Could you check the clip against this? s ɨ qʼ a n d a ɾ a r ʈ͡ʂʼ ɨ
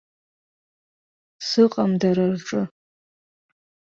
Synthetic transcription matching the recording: s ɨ qʼ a m d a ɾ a r ʈ͡ʂʼ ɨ